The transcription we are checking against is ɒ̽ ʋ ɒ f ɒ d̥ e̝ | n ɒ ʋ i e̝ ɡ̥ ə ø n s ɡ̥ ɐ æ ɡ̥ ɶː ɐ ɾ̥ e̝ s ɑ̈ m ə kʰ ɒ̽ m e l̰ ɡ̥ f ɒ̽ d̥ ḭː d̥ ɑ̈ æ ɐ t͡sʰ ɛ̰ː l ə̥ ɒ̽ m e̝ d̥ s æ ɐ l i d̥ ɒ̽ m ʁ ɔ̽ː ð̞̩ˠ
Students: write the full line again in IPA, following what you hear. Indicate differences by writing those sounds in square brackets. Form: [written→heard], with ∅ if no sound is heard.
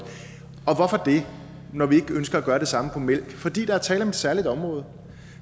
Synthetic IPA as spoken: ɒ̽ ʋ ɒ f ɒ d̥ e̝ | n ɒ ʋ i e̝ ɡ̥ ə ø n s ɡ̥ ɐ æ ɡ̥ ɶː ɐ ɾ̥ e̝ s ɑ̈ m ə [kʰ→pʰ] ɒ̽ m e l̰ ɡ̥ f ɒ̽ d̥ ḭː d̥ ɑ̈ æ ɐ t͡sʰ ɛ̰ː l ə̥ ɒ̽ m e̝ d̥ s æ ɐ l i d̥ ɒ̽ m ʁ ɔ̽ː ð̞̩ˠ